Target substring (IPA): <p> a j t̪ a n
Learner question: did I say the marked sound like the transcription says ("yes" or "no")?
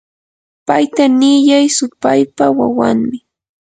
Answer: yes